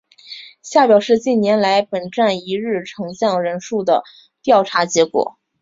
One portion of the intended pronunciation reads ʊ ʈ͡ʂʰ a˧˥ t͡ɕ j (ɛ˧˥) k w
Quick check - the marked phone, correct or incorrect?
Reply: correct